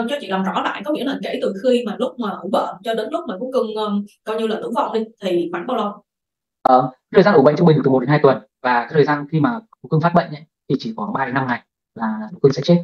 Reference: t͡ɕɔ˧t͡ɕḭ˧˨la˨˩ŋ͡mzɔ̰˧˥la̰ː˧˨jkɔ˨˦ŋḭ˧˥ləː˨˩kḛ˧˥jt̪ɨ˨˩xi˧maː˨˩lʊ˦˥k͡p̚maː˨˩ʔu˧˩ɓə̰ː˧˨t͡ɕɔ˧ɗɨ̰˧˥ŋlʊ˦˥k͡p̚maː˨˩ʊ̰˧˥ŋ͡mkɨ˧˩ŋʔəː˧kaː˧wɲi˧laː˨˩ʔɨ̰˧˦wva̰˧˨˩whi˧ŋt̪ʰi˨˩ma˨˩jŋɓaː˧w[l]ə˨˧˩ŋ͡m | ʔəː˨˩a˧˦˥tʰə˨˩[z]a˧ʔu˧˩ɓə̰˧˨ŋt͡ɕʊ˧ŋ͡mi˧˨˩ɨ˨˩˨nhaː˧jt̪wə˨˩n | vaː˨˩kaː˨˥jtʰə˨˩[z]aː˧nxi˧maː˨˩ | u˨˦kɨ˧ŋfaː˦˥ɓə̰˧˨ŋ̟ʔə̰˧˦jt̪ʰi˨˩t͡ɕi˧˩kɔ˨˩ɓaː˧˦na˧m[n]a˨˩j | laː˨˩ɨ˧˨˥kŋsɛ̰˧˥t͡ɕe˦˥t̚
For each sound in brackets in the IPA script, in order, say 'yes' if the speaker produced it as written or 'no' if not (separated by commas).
yes, yes, yes, no